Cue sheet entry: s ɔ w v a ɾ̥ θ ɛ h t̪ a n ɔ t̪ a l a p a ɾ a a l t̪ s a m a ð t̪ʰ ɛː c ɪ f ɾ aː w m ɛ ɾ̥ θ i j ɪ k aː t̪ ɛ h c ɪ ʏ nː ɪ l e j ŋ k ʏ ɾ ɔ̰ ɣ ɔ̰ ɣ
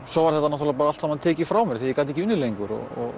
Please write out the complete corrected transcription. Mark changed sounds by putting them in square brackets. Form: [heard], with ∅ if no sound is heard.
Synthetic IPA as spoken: s ɔ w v a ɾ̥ θ ɛ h t̪ a n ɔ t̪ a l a p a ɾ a a l t̪ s a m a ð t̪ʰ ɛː c ɪ f ɾ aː w m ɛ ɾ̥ θ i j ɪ k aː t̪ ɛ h c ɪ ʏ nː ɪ l e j ŋ k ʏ ɾ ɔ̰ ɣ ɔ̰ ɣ